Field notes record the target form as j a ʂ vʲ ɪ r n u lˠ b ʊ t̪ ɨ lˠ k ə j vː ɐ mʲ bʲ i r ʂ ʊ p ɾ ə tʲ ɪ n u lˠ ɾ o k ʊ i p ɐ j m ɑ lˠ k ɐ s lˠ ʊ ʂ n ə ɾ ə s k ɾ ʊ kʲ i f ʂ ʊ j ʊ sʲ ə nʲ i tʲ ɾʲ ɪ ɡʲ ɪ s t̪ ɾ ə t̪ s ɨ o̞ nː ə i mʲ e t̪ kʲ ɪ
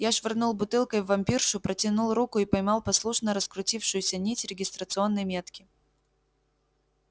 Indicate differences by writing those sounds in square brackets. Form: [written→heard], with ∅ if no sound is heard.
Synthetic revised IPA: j a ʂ vʲ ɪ r n u lˠ b ʊ t̪ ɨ lˠ k ə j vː ɐ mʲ [bʲ→pʲ] i r ʂ ʊ p ɾ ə tʲ ɪ n u lˠ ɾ [o→u] k ʊ i p ɐ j m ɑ lˠ [k→p] ɐ s lˠ [ʊ→u] ʂ n ə ɾ ə s k ɾ ʊ [kʲ→tʲ] i f ʂ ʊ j ʊ sʲ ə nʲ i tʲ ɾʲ ɪ ɡʲ ɪ s t̪ ɾ ə t̪ s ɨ o̞ nː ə [i→j] mʲ e t̪ kʲ ɪ